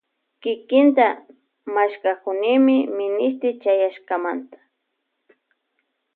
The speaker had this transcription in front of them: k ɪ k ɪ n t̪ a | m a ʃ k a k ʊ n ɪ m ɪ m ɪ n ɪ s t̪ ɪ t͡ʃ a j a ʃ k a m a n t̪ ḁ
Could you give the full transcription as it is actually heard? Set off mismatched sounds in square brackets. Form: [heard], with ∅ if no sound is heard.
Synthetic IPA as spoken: k ɪ k ɪ n t̪ a | m a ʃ k a k ʊ n ɪ m ɪ m ɪ n ɪ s t̪ ɪ t͡ʃ a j a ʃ k a m a n t̪ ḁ

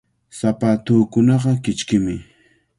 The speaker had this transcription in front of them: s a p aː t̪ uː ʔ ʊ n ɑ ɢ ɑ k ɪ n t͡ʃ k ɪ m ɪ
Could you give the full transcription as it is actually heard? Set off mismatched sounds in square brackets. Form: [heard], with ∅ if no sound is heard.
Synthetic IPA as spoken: s a p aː t̪ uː [k] ʊ n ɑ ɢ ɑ k ɪ [∅] t͡ʃ k ɪ m ɪ

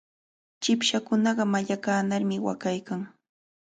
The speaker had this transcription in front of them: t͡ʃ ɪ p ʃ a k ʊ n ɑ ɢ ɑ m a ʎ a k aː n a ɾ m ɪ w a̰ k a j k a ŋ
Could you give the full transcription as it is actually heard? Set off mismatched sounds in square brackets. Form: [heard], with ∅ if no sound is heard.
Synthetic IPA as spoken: t͡ʃ ɪ p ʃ a k ʊ n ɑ ɢ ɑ m a ʎ a k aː n a ɾ m ɪ w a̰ k a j k a ŋ

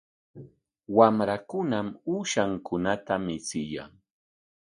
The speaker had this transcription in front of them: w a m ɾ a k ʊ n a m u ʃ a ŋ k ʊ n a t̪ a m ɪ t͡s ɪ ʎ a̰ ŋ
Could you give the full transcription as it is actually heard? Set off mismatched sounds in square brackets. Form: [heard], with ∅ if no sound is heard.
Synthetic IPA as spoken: w a m ɾ a k ʊ n a m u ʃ a ŋ k ʊ n a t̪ a m ɪ t͡s ɪ [j] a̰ ŋ

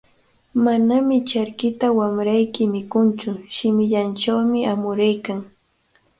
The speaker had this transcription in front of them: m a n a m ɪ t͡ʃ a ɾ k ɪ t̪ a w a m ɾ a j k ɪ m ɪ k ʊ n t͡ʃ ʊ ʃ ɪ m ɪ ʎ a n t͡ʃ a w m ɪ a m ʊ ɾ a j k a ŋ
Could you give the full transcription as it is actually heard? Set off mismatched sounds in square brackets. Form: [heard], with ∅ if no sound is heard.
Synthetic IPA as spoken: m a n a m ɪ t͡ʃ a ɾ k ɪ t̪ a w a m ɾ a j k ɪ m ɪ k ʊ n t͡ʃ ʊ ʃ ɪ m ɪ ʎ a n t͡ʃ a w m ɪ a m ʊ ɾ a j k a ŋ

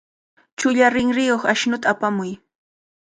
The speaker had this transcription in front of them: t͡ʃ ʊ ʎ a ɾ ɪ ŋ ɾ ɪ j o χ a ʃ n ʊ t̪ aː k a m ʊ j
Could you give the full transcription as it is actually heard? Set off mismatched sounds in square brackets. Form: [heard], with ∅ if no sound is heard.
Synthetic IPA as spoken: t͡ʃ ʊ ʎ a ɾ ɪ ŋ ɾ ɪ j o χ a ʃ n ʊ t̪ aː [p] a m ʊ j

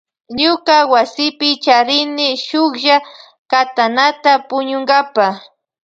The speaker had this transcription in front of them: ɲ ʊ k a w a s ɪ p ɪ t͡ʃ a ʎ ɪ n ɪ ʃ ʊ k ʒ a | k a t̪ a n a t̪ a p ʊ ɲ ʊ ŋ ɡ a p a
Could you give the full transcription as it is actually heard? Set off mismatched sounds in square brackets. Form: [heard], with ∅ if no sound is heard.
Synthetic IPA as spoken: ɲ ʊ k a w a s ɪ p ɪ t͡ʃ a [ɾ] ɪ n ɪ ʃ ʊ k ʒ a | k a t̪ a n a t̪ a p ʊ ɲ ʊ ŋ ɡ a p a

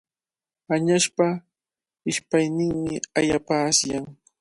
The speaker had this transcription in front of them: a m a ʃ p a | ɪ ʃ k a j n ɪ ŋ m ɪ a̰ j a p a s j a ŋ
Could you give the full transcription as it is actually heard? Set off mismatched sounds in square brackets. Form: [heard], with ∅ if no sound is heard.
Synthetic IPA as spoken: a [ɲ] a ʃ p a | ɪ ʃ [p] a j n ɪ ŋ m ɪ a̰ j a p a s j a ŋ

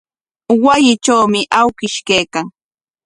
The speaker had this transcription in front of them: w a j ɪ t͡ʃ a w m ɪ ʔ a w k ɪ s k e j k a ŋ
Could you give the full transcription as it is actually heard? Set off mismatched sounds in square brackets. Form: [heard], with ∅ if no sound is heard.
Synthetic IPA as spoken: w a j ɪ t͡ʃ a w m ɪ ʔ a w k ɪ [ʃ] k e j k a ŋ

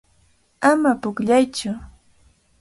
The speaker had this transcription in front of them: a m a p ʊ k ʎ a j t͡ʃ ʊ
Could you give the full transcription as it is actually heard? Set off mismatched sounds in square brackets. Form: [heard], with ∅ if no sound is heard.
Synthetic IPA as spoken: a m a p ʊ k ʎ a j t͡ʃ ʊ

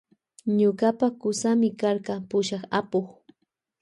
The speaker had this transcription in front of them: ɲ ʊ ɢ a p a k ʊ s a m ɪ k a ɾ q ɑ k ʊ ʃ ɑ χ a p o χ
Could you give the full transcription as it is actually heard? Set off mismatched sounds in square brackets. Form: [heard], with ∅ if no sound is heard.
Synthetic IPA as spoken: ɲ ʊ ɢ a p a k ʊ s a m ɪ k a ɾ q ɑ [p] ʊ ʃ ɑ χ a p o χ

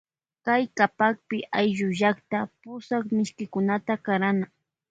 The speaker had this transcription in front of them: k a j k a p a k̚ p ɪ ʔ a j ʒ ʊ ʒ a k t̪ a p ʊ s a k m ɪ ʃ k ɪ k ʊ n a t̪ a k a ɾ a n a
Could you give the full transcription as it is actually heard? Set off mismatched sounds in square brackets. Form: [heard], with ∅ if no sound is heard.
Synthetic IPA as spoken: k a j k a p a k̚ p ɪ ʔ a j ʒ ʊ ʒ a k t̪ a p ʊ s a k m ɪ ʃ k ɪ k ʊ n a t̪ a k a ɾ a n a

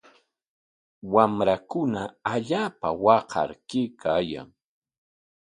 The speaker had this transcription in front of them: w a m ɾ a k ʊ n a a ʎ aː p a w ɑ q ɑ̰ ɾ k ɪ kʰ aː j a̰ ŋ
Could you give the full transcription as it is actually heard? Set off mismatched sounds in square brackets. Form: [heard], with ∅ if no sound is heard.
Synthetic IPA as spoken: w a m ɾ a k ʊ n a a ʎ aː p a w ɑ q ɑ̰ ɾ k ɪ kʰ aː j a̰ ŋ

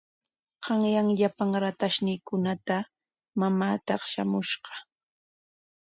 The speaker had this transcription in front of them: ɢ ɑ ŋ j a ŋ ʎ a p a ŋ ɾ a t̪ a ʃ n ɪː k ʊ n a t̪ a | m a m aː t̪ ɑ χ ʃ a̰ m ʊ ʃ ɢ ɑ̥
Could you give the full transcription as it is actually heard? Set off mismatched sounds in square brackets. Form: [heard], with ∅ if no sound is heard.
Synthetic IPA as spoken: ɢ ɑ ŋ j a ŋ ʎ a p a ŋ ɾ a t̪ a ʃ n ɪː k ʊ n a t̪ a | m a m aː t̪ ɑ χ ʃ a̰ m ʊ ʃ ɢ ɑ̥

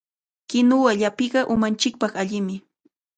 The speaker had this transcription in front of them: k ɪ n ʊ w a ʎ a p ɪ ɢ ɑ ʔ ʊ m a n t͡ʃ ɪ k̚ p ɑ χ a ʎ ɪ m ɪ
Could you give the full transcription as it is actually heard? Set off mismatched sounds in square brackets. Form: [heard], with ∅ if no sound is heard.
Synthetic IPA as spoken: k ɪ n ʊ w a ʎ a p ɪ ɢ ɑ ʔ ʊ m a n t͡ʃ ɪ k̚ p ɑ χ a ʎ ɪ m ɪ

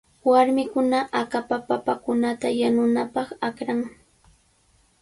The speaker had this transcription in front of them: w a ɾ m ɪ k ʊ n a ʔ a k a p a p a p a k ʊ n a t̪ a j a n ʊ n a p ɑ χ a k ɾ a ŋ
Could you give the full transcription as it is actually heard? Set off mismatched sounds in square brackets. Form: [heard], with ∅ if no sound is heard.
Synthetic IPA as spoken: w a ɾ m ɪ k ʊ n a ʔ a k a p a p a p a k ʊ n a t̪ a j a n ʊ n a p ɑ χ a k ɾ a ŋ

